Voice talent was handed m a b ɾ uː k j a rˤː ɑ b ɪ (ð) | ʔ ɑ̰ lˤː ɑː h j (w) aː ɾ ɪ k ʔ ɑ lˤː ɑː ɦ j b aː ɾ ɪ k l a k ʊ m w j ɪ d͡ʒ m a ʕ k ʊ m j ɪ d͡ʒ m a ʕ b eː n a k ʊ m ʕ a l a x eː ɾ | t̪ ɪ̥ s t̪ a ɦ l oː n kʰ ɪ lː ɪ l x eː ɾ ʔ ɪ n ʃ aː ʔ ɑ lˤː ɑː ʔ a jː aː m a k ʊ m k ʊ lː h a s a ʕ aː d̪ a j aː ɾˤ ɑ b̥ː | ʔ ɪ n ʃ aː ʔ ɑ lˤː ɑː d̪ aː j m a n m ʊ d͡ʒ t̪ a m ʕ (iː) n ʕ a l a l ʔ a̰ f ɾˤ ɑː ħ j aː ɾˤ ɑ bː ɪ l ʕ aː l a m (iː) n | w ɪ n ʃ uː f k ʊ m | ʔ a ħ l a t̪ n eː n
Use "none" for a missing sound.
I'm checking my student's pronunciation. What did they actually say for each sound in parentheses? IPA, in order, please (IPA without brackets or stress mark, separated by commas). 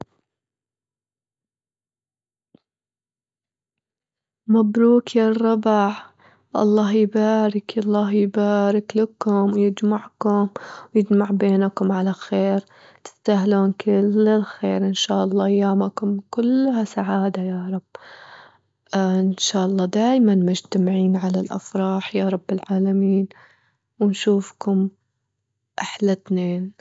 ʕ, b, iː, iː